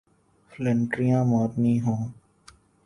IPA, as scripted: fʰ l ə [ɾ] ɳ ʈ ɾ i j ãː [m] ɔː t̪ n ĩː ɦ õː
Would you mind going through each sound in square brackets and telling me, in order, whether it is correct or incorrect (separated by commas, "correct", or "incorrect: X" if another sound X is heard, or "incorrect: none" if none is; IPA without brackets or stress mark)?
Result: incorrect: none, correct